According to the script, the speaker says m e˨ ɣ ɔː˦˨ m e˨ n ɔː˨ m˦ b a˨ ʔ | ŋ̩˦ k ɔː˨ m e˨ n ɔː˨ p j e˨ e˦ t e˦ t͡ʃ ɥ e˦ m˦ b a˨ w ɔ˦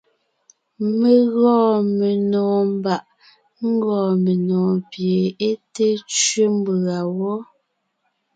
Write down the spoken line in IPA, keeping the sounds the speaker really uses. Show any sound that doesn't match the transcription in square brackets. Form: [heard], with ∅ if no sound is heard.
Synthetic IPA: m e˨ ɣ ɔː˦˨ m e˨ n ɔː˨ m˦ b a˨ ʔ | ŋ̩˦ [ɡ] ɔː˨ m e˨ n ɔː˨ p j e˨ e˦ t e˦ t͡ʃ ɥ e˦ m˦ b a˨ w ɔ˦